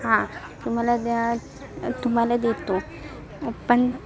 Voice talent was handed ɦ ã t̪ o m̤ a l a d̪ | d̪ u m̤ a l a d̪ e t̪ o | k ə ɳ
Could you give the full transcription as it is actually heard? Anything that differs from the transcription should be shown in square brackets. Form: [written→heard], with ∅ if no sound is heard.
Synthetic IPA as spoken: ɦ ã t̪ [o→u] m̤ a l a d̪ | [d̪→t̪] u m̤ a l a d̪ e t̪ o | [k→p] ə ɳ